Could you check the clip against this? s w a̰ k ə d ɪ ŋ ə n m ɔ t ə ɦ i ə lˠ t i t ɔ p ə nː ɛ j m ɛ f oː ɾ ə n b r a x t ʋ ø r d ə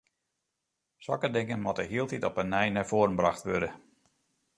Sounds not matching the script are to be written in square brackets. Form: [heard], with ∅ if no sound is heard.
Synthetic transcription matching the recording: s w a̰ k ə d ɪ ŋ ə n m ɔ t ə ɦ i ə lˠ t i t ɔ p ə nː ɛ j [n] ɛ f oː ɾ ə n b r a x t ʋ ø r d ə